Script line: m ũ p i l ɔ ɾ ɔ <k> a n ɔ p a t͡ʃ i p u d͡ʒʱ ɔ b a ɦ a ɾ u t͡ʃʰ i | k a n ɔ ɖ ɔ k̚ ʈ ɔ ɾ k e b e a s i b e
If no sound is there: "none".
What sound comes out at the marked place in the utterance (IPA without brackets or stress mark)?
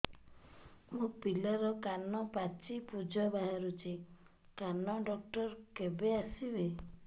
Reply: k